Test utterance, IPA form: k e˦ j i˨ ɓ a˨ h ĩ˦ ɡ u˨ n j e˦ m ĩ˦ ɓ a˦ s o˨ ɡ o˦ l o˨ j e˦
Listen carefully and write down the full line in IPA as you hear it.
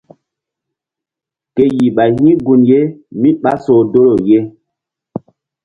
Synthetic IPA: k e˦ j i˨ ɓ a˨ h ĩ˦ ɡ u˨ n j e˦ m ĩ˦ ɓ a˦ s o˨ d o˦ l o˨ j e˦